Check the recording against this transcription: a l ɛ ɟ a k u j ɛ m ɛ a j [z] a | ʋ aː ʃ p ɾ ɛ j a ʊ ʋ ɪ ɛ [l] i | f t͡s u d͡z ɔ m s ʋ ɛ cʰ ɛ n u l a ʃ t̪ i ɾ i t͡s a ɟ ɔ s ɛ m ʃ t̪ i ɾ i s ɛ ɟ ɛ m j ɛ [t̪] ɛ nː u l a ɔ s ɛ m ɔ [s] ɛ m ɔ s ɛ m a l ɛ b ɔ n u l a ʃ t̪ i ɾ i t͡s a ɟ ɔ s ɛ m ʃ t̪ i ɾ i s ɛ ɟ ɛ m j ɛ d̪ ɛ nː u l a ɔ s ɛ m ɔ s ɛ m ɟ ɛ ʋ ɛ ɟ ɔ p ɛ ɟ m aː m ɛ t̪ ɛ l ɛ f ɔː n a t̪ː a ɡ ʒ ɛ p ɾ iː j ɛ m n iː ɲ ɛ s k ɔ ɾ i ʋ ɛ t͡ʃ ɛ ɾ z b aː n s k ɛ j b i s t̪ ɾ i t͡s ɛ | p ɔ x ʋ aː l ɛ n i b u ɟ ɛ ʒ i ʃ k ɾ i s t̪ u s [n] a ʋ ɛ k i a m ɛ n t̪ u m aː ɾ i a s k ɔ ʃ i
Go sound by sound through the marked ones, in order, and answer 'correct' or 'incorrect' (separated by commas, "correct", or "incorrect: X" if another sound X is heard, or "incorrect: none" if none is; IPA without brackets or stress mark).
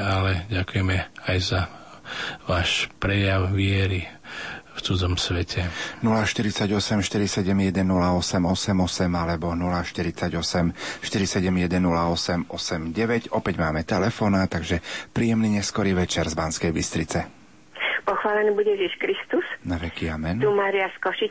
correct, incorrect: ɾ, incorrect: d̪, correct, correct